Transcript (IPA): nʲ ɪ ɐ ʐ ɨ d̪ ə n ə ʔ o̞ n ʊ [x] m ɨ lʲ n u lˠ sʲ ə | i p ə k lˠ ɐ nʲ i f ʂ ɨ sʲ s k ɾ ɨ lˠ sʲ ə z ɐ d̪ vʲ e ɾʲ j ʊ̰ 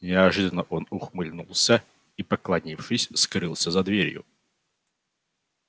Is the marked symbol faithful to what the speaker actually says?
yes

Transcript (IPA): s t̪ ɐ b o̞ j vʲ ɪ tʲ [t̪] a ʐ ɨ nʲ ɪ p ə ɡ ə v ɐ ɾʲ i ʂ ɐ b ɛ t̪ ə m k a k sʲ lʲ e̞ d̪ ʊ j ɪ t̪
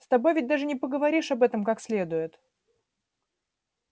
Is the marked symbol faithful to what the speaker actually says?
no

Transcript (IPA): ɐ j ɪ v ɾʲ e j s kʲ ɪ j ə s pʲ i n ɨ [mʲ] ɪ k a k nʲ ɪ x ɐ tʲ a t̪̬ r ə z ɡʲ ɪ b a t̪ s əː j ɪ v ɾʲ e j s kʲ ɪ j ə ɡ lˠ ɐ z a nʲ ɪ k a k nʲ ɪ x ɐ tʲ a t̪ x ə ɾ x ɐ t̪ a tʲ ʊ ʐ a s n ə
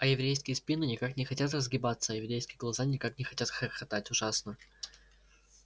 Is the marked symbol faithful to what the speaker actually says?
no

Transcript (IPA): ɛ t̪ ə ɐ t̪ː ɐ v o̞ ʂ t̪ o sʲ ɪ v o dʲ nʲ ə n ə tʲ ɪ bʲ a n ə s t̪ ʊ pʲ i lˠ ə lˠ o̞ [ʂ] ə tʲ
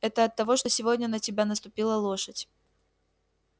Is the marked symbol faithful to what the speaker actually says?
yes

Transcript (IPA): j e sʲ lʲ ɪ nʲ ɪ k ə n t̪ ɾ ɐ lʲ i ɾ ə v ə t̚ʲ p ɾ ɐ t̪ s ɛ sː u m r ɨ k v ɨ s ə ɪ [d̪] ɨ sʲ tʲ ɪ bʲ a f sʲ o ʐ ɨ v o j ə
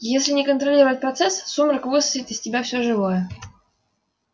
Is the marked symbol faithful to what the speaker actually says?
no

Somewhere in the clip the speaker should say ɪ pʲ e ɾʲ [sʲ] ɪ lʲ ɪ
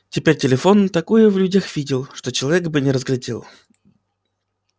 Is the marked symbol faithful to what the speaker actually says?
no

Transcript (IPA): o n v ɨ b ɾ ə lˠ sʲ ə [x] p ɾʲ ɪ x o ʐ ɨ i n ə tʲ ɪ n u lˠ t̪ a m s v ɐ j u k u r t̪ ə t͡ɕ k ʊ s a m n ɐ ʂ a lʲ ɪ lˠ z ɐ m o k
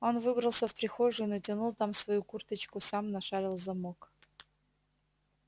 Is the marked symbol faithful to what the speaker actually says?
no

